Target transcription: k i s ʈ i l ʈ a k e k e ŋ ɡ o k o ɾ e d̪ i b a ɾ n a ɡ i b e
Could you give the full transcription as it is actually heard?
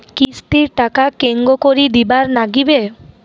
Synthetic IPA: k i s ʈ i ɾ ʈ a k a k e ŋ ɡ o k o ɾ i d̪ i b a ɾ n a ɡ i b e